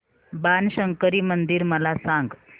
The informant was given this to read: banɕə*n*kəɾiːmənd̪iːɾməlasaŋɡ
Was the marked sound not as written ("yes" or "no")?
yes